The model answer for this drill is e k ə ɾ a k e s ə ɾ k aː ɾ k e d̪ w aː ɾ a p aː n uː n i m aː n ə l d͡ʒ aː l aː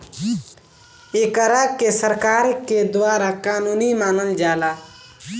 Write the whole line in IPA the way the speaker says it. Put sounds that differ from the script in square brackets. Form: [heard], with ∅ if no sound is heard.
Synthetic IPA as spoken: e k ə ɾ a k e s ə ɾ k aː ɾ k e d̪ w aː ɾ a [k] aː n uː n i m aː n ə l d͡ʒ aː l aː